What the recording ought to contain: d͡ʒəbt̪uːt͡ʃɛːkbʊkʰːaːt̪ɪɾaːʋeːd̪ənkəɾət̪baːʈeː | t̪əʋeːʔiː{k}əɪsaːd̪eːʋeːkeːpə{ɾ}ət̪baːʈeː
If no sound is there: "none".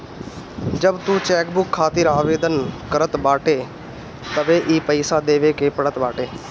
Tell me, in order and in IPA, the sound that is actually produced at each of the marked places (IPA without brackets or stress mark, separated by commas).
p, ɽ